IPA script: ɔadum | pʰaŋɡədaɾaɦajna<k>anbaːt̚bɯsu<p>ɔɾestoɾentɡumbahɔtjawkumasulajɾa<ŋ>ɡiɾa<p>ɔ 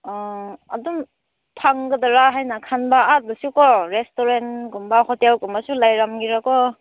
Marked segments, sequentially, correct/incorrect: incorrect: kʰ, incorrect: k, incorrect: m, incorrect: k

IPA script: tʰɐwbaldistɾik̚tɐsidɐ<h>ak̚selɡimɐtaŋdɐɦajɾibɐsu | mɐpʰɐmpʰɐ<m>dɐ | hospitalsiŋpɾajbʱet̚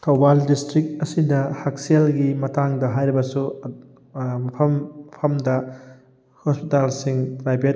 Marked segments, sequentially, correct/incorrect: correct, correct

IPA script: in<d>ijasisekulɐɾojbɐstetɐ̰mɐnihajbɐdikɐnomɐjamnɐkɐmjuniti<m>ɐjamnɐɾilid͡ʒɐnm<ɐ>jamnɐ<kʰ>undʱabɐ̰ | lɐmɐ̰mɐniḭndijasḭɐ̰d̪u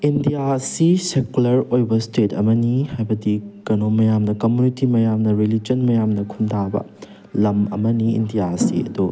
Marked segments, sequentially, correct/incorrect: correct, correct, correct, correct

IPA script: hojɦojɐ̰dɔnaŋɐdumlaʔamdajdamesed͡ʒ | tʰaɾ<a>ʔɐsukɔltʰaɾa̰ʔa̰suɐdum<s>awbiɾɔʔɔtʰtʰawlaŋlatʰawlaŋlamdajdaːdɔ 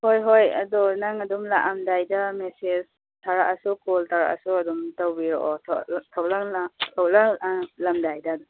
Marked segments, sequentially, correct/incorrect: correct, incorrect: t

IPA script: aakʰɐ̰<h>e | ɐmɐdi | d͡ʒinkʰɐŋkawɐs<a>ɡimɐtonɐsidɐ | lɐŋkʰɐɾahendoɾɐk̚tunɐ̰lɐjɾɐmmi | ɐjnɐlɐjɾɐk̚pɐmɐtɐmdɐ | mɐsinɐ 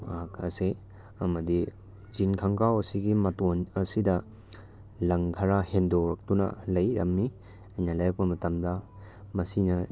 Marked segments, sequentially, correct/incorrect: incorrect: s, incorrect: i

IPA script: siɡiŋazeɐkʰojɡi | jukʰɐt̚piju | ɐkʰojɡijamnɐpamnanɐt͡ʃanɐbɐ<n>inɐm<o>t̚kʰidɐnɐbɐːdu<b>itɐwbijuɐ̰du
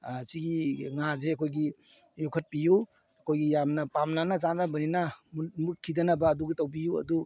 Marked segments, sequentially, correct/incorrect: correct, incorrect: u, incorrect: ɡ

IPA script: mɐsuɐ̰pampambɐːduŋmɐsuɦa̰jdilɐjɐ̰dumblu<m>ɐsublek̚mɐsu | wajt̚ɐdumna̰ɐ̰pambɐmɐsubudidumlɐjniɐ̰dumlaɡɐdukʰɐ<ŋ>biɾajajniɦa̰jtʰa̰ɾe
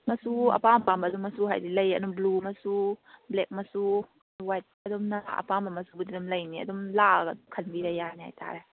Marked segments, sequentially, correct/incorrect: correct, incorrect: n

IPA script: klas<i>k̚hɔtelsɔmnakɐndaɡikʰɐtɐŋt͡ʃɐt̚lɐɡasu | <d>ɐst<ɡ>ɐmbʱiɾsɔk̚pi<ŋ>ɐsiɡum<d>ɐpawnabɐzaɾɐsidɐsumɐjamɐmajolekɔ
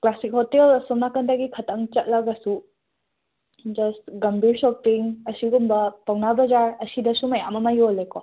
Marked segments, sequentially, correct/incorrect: correct, incorrect: d͡ʒ, correct, correct, incorrect: b

